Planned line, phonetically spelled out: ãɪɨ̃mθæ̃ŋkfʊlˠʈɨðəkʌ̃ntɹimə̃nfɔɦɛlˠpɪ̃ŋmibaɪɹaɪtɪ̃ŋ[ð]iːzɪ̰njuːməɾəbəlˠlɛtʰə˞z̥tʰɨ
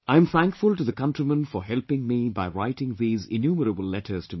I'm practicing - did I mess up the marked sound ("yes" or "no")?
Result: no